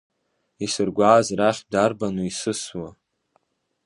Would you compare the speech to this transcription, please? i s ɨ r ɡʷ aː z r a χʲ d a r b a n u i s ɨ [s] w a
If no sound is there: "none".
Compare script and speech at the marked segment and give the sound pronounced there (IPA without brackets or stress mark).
s